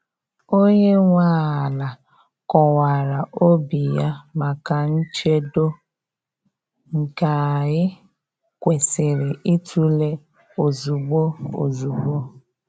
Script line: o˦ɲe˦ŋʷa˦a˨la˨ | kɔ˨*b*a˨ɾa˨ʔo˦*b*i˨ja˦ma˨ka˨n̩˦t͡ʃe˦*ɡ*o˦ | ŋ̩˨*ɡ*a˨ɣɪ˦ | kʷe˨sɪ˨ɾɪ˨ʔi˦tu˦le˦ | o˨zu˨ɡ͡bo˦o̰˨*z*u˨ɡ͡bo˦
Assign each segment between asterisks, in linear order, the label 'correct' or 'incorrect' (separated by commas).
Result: incorrect, correct, incorrect, incorrect, correct